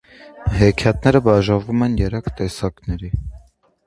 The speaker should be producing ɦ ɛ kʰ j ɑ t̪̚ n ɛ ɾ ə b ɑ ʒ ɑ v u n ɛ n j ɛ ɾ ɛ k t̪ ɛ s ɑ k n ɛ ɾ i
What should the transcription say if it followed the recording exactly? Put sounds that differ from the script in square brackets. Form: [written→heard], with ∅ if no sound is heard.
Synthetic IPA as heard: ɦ ɛ kʰ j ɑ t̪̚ n ɛ ɾ ə b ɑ ʒ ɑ v u [n→m] ɛ n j ɛ ɾ ɛ k t̪ ɛ s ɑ k n ɛ ɾ i